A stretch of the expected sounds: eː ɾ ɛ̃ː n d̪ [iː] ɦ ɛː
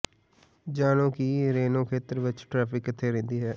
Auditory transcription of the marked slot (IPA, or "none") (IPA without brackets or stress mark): iː